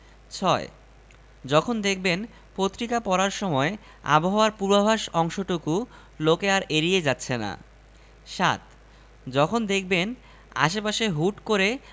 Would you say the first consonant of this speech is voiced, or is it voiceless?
voiceless